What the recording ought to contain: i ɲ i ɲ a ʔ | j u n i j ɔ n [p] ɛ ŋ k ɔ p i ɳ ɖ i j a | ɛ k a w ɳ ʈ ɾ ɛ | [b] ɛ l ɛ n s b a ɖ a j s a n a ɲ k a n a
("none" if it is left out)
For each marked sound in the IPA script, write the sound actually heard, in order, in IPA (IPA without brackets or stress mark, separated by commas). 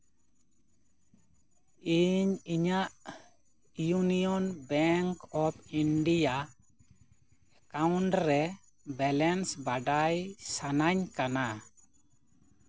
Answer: b, b